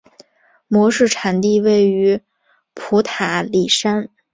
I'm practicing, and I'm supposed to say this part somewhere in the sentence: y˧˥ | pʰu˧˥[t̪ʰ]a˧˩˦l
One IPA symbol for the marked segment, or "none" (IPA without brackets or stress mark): t̪ʰ